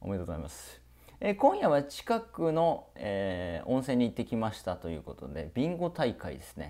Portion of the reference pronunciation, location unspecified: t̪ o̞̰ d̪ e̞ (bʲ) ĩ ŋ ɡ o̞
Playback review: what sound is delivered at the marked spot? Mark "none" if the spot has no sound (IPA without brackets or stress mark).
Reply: bʲ